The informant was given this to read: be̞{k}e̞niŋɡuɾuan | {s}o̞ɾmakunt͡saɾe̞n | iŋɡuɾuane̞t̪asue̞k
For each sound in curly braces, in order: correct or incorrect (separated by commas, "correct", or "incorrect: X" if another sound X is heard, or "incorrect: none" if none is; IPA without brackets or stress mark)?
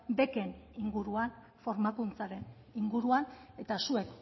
correct, incorrect: f